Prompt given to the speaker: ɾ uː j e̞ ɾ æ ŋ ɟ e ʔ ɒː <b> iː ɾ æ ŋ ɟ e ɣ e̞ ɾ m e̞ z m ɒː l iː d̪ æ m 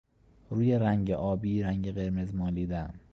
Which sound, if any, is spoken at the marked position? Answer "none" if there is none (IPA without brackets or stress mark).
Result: b